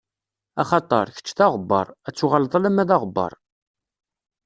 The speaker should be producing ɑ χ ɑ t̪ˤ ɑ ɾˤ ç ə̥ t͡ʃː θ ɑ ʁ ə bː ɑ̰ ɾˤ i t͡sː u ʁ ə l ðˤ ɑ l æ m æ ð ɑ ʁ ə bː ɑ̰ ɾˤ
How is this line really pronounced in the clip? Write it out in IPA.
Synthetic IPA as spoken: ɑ χ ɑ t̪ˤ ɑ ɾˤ ç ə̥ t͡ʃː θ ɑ ʁ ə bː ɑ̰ ɾˤ æ t͡sː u ʁ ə l ðˤ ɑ l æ m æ ð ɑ ʁ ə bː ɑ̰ ɾˤ